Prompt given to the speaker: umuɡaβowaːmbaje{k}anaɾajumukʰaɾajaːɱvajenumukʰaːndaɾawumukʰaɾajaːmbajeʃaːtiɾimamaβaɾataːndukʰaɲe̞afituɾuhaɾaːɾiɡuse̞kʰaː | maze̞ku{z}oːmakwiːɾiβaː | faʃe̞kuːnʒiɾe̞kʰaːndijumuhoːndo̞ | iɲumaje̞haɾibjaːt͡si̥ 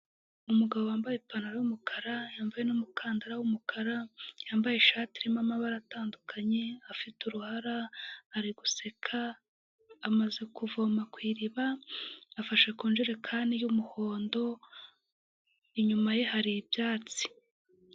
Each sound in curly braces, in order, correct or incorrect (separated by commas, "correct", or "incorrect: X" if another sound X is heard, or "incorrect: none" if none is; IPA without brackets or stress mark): incorrect: p, incorrect: v